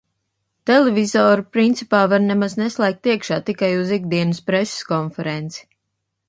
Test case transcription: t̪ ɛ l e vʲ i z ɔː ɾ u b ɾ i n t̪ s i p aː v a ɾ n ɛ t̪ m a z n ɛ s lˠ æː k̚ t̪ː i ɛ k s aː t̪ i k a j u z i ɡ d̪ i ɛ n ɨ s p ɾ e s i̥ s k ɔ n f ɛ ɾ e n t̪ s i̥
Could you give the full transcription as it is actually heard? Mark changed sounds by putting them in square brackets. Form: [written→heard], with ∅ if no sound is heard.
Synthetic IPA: t̪ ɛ l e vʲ i z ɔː ɾ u [b→p] ɾ i n t̪ s i p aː v a ɾ n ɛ [t̪→∅] m a z n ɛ s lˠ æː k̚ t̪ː i ɛ k [s→ʃ] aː t̪ i k a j u z i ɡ d̪ i ɛ n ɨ s p ɾ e s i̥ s k ɔ n f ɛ ɾ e n t̪ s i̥

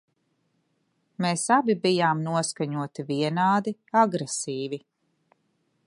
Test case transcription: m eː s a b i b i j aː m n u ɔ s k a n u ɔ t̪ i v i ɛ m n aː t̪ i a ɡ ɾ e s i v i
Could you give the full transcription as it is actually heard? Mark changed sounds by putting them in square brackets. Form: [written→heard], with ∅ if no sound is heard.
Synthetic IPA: m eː s a b i b i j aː m n u ɔ s k a [n→ɲ] u ɔ t̪ i v i ɛ [m→∅] n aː [t̪→d̪] i a ɡ ɾ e s [i→iː] v i

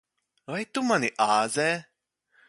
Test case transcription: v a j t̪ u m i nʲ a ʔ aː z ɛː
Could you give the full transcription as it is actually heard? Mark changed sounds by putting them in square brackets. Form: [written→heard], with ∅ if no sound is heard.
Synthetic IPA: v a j t̪ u m [i→a] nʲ [a→i] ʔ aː z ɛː

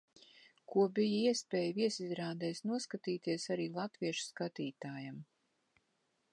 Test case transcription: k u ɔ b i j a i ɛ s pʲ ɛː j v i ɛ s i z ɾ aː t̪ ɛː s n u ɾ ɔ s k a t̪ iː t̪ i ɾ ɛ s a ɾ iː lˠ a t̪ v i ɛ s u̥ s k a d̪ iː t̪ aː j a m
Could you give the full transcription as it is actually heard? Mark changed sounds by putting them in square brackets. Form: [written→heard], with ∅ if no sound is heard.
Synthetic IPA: k u ɔ b i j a i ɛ s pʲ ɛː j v i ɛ s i z ɾ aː [t̪→d̪] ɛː s n u [ɾ→∅] ɔ s k a t̪ iː t̪ i [ɾ→∅] ɛ s a ɾ iː lˠ a t̪ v i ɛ [s→ʃ] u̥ s k a [d̪→t̪] iː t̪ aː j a m

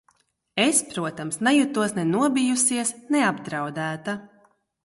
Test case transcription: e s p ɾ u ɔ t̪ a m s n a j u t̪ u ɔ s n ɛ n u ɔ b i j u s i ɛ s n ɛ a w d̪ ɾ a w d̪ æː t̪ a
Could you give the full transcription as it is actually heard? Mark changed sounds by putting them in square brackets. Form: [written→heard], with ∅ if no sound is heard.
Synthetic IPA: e s p ɾ u ɔ t̪ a m s n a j u t̪ u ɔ s n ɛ n u ɔ b i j u s i ɛ s n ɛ a [w→b] d̪ ɾ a w d̪ æː t̪ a

